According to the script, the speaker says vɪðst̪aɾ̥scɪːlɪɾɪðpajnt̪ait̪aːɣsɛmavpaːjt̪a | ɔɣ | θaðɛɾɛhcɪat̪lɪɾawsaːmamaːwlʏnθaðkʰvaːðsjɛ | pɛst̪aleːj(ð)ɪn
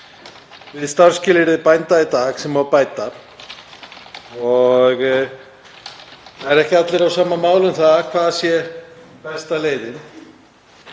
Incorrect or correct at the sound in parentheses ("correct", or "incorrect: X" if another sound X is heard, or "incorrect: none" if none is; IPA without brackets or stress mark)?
correct